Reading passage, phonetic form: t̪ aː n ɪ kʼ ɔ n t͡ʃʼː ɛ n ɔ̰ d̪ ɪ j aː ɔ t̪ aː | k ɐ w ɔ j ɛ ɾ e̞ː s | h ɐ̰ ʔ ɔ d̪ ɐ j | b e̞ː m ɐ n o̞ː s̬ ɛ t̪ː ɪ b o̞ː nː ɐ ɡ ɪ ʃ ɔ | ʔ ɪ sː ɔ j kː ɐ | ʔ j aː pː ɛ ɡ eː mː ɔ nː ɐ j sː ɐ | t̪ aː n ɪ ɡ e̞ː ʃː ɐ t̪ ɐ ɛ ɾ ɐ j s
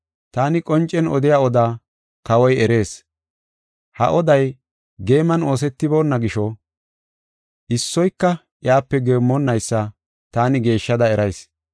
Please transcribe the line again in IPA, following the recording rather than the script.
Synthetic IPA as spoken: t̪ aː n ɪ kʼ ɔ n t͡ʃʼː ɛ n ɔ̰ d̪ ɪ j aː ɔ d̪ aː | k ɐ w ɔ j ɛ ɾ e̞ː s | h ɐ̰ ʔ ɔ d̪ ɐ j | ɡ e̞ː m ɐ n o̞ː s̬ ɛ t̪ː ɪ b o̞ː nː ɐ ɡ ɪ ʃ ɔ | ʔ ɪ sː ɔ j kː ɐ | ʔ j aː pː ɛ ɡ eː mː ɔ nː ɐ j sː ɐ | t̪ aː n ɪ ɡ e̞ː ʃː ɐ d̪ ɐ ɛ ɾ ɐ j s